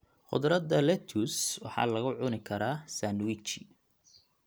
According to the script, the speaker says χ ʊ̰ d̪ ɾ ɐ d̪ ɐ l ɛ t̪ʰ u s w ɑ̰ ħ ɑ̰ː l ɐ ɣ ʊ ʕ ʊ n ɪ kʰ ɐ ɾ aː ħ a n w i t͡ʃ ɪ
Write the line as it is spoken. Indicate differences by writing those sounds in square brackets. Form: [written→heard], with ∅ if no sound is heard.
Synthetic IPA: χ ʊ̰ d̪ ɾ ɐ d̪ ɐ l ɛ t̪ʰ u s w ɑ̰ ħ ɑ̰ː l ɐ ɣ ʊ ʕ ʊ n ɪ kʰ ɐ ɾ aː [ħ→s] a n w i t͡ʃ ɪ